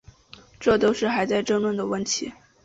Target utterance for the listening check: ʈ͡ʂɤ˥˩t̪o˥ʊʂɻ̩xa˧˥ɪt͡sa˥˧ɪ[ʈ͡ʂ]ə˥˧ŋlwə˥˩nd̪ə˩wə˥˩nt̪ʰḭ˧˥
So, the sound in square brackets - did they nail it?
yes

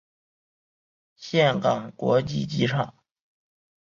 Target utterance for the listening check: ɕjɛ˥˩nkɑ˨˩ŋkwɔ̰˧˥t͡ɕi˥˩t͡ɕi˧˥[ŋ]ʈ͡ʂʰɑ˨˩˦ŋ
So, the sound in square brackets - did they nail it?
no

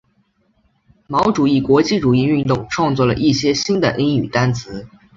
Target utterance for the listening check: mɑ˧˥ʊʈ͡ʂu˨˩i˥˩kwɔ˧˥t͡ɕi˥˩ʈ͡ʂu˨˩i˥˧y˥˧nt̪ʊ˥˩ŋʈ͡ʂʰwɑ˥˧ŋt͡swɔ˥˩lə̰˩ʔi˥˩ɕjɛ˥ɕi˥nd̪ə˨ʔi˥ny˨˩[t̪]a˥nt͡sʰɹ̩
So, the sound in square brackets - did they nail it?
yes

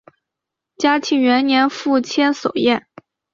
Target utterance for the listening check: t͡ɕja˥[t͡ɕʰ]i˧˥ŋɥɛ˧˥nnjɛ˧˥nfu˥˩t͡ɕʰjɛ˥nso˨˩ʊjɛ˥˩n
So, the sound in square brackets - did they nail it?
yes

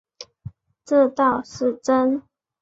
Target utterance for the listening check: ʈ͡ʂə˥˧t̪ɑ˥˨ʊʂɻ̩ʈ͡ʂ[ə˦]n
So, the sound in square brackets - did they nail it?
yes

